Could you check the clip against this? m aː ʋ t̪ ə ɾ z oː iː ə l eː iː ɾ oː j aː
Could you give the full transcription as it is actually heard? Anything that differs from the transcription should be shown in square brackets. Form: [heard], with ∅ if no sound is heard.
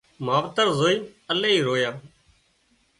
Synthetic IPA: m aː ʋ t̪ ə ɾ z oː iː ə l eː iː ɾ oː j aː